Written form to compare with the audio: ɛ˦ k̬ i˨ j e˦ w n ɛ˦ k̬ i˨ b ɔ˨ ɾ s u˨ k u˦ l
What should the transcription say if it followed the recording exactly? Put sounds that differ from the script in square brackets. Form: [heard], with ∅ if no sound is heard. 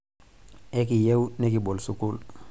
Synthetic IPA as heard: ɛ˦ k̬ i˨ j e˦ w n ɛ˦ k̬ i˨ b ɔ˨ [l] s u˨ k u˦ l